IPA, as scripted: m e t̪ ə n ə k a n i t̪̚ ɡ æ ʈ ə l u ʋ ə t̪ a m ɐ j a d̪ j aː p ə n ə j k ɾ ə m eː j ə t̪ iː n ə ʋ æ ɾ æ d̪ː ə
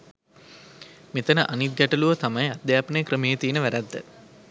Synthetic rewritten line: m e t̪ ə n ə ʔ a n i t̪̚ ɡ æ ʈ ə l u ʋ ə t̪ a m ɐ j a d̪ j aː p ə n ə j k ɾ ə m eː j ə t̪ iː n ə ʋ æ ɾ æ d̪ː ə

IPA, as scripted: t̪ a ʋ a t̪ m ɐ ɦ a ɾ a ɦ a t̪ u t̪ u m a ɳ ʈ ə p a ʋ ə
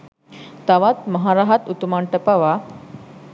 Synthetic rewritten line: t̪ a ʋ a t̪ m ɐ ɦ a ɾ a ɦ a t̪ u t̪ u m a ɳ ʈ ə p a ʋ a

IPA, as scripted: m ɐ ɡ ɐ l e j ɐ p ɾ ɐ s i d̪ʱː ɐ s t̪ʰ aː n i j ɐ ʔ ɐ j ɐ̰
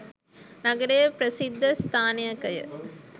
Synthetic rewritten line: n ɐ ɡ ɐ ɾ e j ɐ p ɾ ɐ s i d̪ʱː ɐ s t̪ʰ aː n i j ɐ k ɐ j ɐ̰

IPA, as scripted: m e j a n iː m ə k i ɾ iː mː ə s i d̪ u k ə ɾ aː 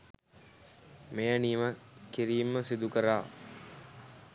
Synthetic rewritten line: m e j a n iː m ə k i ɾ iː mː ə s i d̪ u k ə ɾ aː

